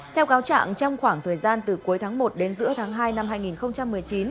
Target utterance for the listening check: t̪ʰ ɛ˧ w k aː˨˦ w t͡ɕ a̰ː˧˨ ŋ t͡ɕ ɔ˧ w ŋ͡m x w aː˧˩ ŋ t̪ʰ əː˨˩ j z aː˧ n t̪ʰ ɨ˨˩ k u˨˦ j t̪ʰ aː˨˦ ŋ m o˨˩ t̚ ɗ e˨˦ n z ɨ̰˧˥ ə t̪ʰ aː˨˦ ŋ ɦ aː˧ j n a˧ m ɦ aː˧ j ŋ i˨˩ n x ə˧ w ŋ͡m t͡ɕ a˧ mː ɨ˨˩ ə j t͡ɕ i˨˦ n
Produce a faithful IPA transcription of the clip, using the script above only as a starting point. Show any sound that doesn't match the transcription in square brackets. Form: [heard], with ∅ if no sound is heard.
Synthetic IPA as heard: t̪ʰ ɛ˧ w k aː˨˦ w t͡ɕ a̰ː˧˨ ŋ t͡ɕ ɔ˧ w ŋ͡m x w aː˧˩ ŋ t̪ʰ əː˨˩ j z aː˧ n [t̪] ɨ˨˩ k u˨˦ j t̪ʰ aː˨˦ ŋ m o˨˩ t̚ ɗ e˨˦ n z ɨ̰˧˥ ə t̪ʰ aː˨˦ ŋ ɦ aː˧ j n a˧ m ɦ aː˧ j ŋ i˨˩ n x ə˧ w ŋ͡m t͡ɕ a˧ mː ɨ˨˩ ə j t͡ɕ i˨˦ n